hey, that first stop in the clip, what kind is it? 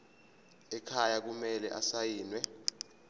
aspirated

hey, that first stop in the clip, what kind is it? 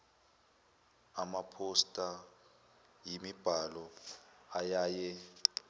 aspirated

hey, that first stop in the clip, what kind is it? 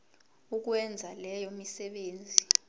plain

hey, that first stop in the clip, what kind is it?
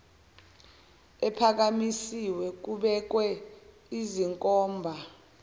aspirated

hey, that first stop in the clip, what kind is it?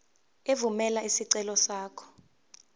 click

